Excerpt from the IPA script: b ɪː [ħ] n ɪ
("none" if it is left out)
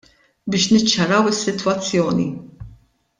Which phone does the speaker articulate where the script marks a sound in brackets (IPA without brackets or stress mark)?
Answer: ʃ